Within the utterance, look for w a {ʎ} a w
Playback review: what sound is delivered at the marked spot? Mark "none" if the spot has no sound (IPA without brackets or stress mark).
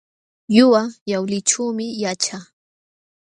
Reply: j